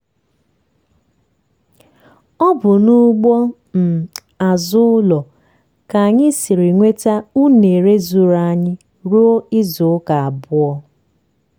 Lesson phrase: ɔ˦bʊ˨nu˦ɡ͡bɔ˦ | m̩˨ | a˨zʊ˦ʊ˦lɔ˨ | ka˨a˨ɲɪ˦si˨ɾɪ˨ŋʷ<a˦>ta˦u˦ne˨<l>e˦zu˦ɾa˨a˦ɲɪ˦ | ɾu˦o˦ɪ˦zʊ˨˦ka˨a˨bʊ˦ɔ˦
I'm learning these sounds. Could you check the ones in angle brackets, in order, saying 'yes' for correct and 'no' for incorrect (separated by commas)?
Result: no, no